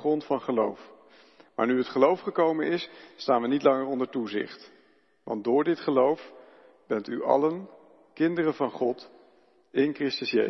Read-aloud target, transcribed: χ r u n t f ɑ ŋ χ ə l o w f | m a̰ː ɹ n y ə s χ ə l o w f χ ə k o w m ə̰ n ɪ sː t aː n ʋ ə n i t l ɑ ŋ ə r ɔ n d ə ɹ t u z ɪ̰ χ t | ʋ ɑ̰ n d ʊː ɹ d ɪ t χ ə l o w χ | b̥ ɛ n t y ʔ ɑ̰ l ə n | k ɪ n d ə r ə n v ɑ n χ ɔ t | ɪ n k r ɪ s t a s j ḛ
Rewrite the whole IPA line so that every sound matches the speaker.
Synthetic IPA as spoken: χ r ɔ n t f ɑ n χ ə l o w f | m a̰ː ɹ n y ə t χ ə l o w f χ ə k o w m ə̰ n ɪ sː t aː n ʋ ə n i t l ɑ ŋ ə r ɔ n d ə ɹ t u z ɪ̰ χ t | ʋ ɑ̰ n d ʊː ɹ d ɪ t χ ə l o w f | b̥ ɛ n t y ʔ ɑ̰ l ə n | k ɪ n d ə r ə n v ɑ n χ ɔ t | ɪ n k r ɪ s t ə s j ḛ